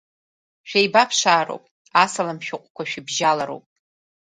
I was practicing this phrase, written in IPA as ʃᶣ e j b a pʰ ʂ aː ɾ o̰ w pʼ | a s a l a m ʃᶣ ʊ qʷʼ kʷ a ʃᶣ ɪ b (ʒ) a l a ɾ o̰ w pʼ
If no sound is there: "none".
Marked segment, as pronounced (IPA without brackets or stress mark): ʒ